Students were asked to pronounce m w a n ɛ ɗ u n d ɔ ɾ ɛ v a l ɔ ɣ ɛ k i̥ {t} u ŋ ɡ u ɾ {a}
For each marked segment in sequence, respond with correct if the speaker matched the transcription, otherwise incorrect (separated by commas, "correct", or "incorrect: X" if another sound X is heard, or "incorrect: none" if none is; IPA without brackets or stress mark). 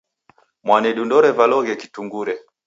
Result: correct, incorrect: ɛ